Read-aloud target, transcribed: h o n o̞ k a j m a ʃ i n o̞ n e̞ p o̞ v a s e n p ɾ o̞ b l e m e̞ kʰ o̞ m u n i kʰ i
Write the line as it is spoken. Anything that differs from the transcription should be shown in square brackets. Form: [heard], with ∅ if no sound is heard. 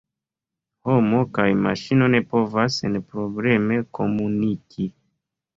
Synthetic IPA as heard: h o [m] o̞ k a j m a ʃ i n o̞ n e̞ p o̞ v a s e n p ɾ o̞ b l e m e̞ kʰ o̞ m u n i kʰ i